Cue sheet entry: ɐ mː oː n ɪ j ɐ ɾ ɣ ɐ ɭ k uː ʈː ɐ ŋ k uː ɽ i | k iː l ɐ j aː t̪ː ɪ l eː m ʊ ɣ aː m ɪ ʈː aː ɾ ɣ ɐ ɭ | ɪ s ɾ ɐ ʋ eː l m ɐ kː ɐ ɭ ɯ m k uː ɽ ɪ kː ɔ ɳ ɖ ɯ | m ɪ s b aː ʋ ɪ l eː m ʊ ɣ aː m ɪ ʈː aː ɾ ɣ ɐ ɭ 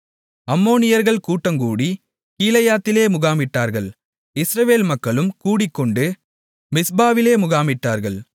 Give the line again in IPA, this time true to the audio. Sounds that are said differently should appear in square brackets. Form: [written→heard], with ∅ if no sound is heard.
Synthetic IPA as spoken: ɐ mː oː n ɪ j ɐ ɾ ɣ ɐ ɭ k uː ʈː ɐ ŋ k uː ɽ i | k iː l ɐ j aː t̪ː ɪ l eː m ʊ ɣ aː m ɪ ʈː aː ɾ ɣ ɐ ɭ | ɪ s ɾ ɐ ʋ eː l m ɐ kː ɐ ɭ ɯ m k uː ɽ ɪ kː ɔ ɳ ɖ ɯ | m ɪ s b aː ʋ ɪ l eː m ʊ ɣ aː m ɪ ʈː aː ɾ ɣ ɐ ɭ